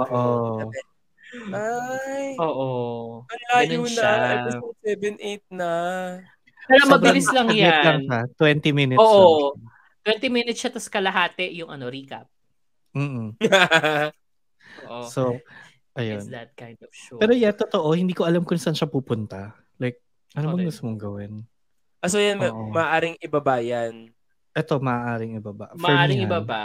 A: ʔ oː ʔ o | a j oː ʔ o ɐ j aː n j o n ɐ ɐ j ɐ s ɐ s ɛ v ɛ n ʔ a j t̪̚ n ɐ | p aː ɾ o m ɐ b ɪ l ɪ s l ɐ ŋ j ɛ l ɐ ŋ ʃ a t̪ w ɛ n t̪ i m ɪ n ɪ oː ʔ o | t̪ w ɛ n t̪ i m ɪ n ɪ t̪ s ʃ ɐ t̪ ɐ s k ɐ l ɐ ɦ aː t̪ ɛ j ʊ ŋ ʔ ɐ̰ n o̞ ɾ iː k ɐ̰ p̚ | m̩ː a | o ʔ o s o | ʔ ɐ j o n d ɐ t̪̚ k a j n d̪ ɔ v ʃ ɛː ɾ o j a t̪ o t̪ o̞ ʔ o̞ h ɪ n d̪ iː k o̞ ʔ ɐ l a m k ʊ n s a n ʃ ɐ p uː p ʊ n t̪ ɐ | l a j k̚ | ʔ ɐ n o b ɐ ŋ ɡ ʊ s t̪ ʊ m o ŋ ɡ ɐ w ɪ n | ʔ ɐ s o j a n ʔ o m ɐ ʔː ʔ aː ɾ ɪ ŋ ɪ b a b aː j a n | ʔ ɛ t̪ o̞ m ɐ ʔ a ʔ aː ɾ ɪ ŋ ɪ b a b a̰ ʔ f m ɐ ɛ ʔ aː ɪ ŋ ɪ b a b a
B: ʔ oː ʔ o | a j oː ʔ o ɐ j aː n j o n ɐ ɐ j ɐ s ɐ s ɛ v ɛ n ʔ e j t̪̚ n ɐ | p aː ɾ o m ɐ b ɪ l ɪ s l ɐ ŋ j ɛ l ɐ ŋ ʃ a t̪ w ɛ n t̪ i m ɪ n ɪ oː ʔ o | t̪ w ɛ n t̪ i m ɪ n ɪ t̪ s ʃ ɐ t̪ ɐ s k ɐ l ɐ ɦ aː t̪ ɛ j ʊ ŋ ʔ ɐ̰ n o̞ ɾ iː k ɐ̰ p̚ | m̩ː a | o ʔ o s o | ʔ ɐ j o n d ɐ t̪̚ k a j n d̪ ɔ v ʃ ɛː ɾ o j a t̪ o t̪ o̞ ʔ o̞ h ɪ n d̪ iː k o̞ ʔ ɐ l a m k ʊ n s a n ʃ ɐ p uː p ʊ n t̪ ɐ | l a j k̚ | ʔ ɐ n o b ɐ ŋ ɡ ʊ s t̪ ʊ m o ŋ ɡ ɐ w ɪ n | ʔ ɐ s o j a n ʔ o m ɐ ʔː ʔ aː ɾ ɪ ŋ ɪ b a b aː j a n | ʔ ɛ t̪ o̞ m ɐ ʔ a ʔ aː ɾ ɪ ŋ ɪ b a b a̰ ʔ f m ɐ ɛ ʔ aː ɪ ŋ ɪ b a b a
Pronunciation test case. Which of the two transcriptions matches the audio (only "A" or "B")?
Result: B